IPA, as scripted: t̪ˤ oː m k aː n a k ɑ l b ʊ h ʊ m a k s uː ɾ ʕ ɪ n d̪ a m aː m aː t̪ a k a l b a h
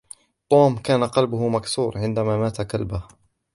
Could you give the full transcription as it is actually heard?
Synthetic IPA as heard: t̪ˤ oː m k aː n a q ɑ l b ʊ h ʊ m a k s uː ɾ ʕ ɪ n d̪ a m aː m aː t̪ a k a l b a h